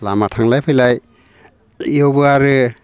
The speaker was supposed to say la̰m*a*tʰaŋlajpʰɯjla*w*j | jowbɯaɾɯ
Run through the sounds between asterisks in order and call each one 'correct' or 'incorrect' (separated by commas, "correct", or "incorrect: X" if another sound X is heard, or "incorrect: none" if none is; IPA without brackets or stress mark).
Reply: correct, incorrect: none